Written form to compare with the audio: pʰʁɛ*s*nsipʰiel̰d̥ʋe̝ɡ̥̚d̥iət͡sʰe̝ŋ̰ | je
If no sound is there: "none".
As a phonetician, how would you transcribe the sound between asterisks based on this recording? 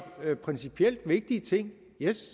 none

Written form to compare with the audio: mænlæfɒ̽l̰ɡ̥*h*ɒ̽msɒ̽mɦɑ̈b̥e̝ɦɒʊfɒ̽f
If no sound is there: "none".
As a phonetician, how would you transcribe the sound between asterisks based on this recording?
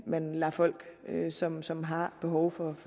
s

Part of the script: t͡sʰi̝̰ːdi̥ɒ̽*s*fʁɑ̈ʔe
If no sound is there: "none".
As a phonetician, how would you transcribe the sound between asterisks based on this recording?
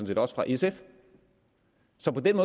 s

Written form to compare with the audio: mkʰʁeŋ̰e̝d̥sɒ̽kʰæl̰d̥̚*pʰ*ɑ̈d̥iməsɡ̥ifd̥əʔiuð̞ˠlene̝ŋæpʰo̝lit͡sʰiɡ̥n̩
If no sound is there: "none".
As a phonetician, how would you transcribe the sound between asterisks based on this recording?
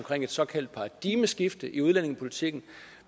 pʰ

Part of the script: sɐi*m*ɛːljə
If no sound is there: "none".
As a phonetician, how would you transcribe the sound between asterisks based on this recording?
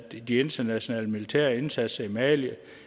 m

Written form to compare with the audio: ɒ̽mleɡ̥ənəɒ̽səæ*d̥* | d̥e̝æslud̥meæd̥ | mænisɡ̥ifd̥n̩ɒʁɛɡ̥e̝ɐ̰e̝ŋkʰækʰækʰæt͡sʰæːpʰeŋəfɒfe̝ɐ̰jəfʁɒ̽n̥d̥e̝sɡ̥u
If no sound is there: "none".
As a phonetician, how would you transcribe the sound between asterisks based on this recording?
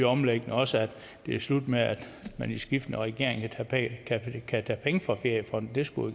d̥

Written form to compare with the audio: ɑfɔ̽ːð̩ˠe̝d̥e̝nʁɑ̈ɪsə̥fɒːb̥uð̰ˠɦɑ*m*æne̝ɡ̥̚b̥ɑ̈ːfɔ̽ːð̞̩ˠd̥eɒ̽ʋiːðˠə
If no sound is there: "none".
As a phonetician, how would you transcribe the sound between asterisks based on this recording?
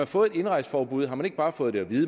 m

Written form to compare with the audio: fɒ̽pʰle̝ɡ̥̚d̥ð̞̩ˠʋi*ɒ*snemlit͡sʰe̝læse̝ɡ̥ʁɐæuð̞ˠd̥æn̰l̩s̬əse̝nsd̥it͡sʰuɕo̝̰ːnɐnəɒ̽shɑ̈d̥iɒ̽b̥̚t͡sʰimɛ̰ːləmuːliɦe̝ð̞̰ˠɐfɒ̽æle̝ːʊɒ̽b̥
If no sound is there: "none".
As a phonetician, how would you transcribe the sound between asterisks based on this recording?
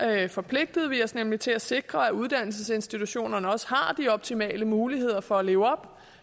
ɒ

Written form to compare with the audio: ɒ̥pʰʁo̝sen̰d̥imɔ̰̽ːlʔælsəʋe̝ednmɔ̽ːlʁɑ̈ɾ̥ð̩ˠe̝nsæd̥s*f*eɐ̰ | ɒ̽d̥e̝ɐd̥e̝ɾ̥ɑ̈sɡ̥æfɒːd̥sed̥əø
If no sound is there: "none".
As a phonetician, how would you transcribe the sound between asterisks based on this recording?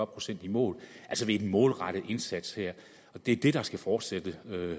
h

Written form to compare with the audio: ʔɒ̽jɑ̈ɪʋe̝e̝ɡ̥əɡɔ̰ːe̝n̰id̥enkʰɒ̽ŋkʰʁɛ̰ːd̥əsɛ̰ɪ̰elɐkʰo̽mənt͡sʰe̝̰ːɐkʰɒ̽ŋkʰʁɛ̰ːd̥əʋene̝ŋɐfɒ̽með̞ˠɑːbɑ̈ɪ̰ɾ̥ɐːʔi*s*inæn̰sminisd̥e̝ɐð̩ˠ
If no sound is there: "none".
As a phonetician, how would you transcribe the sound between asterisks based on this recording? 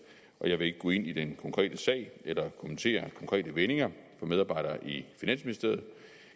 f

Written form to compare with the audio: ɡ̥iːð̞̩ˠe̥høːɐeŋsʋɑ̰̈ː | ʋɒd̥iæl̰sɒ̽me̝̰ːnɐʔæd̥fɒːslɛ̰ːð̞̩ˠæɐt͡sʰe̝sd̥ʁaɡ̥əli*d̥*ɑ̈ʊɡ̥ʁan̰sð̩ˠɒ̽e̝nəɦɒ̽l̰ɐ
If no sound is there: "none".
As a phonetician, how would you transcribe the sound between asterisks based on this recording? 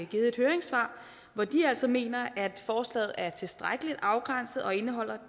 d̥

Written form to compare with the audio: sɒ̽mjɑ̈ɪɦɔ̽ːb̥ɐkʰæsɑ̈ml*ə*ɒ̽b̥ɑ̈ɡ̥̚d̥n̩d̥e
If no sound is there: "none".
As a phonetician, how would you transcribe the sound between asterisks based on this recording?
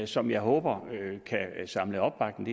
ə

